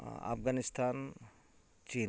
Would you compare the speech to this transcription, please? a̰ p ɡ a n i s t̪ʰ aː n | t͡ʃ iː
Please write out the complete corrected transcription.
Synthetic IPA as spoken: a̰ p ɡ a n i s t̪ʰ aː n | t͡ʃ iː